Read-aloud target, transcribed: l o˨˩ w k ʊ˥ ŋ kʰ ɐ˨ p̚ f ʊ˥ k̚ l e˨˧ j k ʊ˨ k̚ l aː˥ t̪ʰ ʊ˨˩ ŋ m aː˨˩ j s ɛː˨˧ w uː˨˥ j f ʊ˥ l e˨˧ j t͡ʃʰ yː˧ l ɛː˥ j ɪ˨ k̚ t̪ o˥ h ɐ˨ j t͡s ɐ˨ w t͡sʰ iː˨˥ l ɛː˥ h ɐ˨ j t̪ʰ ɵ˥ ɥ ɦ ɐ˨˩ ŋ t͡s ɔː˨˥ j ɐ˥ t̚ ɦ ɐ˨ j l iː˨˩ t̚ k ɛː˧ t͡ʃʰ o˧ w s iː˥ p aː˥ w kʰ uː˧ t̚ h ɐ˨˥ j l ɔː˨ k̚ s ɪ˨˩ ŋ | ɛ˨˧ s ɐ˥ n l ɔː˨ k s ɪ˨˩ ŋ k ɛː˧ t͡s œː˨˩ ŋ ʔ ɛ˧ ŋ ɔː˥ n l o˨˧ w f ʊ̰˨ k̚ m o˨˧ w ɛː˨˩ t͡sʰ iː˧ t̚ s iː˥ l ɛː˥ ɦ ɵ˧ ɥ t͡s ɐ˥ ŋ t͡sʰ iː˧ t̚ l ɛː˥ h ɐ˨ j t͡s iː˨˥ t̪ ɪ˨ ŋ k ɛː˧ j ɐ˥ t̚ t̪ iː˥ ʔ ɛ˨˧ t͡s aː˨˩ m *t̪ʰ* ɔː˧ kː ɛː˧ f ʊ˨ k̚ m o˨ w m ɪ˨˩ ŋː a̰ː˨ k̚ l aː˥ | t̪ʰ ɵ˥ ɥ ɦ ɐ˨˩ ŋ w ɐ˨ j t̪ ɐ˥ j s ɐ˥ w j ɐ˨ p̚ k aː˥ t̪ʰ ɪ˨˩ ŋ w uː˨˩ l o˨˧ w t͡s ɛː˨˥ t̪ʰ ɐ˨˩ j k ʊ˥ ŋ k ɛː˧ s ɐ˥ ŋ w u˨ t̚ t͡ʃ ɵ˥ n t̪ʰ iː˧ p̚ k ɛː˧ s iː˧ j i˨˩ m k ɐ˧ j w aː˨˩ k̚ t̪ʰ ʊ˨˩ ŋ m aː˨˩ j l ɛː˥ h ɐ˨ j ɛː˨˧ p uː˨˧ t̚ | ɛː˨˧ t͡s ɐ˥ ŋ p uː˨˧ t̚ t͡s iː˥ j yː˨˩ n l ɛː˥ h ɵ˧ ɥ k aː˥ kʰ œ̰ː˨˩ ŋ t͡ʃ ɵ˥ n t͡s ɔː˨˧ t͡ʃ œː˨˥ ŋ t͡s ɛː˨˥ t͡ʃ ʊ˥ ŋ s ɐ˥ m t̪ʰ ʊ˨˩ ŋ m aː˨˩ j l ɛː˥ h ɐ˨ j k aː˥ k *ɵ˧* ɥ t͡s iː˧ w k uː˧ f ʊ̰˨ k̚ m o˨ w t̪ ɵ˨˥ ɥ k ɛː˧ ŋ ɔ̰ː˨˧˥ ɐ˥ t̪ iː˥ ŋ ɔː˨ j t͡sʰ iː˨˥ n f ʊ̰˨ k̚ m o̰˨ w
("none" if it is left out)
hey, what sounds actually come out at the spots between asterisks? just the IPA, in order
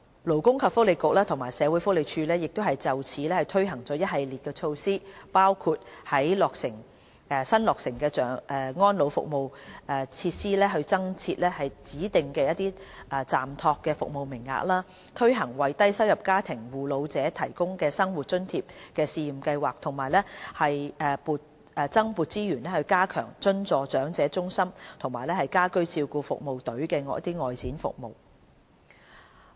t̪ʰ, ɵ˥

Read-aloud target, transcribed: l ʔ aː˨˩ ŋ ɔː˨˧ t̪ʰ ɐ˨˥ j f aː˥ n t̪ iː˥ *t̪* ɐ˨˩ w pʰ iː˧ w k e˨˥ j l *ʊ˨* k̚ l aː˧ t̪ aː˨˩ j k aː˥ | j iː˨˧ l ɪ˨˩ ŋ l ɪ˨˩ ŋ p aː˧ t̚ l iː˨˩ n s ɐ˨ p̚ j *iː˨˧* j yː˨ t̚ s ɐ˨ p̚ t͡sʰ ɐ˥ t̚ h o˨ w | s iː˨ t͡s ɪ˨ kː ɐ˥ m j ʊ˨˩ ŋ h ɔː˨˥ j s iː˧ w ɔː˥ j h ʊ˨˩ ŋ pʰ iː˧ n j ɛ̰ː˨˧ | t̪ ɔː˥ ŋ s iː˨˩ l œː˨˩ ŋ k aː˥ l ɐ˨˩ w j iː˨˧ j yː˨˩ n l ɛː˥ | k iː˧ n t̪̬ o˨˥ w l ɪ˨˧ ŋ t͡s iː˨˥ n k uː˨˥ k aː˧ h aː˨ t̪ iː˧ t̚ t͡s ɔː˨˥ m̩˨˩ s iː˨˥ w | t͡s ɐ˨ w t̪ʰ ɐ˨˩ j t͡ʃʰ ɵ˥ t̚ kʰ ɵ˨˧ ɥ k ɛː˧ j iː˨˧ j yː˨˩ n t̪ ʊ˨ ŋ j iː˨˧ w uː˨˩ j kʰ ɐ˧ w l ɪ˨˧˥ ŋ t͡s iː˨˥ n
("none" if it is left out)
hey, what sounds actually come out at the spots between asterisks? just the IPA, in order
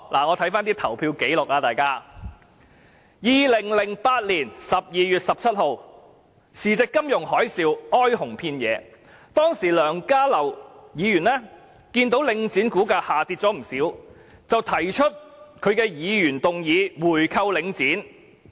t̪ʰ, ʊ˨, iː˨˧

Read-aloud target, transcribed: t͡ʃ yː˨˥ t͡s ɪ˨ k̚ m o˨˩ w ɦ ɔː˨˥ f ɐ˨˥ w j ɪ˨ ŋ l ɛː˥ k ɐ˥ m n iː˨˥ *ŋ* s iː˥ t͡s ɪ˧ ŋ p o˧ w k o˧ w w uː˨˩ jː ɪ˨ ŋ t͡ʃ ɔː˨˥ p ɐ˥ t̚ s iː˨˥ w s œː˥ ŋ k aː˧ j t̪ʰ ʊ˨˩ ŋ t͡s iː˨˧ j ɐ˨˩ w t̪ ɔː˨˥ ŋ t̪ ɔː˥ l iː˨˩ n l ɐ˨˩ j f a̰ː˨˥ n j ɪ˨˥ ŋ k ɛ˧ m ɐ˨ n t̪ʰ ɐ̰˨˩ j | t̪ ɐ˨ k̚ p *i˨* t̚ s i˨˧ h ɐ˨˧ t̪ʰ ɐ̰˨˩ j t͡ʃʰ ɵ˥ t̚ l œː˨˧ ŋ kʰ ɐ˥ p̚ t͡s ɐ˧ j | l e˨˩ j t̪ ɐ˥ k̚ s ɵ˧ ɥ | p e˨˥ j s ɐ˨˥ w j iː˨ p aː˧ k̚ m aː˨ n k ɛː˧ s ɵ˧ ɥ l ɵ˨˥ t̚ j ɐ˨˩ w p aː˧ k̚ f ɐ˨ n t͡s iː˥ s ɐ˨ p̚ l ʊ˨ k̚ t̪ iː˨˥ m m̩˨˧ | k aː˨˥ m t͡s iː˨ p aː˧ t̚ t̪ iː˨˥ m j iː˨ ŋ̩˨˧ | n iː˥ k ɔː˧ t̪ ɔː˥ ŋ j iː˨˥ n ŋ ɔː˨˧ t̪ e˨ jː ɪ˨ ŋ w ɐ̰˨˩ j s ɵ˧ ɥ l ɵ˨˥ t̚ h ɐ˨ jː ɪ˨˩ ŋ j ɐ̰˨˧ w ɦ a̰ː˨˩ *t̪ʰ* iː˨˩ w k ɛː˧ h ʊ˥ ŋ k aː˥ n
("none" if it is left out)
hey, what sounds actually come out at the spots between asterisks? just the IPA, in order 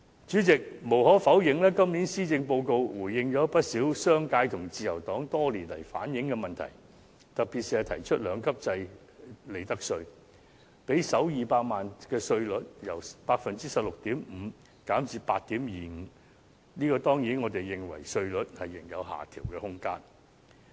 n, i˨, t̪ʰ

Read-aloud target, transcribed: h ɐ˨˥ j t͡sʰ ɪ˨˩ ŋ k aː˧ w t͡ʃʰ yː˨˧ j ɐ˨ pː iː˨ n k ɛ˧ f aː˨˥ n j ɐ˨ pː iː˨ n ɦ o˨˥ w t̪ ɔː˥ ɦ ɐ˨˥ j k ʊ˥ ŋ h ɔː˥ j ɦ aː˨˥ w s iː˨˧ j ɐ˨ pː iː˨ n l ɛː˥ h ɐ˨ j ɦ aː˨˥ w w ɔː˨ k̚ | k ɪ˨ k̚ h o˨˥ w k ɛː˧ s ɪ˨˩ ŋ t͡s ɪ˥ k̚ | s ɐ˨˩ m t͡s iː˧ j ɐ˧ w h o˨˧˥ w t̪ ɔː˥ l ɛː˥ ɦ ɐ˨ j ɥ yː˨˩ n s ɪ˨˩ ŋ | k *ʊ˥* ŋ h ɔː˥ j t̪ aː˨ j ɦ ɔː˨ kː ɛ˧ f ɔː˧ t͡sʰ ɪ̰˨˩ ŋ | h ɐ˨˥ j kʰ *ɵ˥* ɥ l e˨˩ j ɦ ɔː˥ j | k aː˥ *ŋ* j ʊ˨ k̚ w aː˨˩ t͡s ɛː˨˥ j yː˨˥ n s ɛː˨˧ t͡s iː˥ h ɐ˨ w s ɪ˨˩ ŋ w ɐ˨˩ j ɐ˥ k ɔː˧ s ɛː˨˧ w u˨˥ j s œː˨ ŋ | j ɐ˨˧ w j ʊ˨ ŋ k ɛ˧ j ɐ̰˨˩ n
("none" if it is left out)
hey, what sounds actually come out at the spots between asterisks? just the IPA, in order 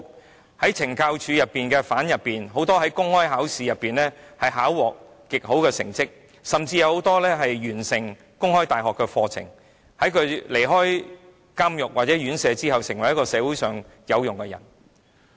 ʊ˥, ɵ˨˧, m

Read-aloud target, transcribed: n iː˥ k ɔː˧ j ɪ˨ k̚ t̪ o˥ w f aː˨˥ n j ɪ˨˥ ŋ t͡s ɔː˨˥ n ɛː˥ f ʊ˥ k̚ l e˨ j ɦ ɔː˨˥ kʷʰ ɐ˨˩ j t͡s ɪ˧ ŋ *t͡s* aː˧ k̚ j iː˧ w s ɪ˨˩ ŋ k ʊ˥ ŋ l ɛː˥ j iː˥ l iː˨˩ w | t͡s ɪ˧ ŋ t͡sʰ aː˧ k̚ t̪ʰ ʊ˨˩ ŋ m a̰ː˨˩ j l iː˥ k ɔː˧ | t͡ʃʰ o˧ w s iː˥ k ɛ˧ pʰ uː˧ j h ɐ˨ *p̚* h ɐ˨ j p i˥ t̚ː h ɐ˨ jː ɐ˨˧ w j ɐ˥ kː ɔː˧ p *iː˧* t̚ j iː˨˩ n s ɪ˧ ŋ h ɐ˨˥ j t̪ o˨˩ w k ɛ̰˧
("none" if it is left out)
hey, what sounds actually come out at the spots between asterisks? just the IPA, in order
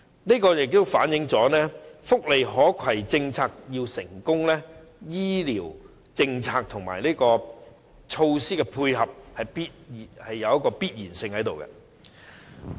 t͡sʰ, p̚, iː˥

